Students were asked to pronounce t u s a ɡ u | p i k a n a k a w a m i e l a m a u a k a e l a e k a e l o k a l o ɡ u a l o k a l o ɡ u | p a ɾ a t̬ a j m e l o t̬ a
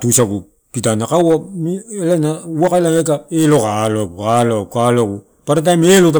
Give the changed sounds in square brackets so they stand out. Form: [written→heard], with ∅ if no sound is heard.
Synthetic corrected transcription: t u s a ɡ u | p i [k→t] a n a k a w a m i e l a [m→n] a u a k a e l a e k a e l o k a l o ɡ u a l o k a l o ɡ u | p a ɾ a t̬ a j m e l o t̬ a